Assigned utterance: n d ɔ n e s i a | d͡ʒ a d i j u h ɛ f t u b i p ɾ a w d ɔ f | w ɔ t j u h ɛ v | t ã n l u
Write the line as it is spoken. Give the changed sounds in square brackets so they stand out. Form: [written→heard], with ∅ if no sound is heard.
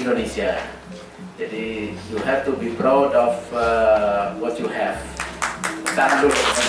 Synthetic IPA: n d [ɔ→o] n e s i a | d͡ʒ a d i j u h ɛ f t u b i p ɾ a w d ɔ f | w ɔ t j u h ɛ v | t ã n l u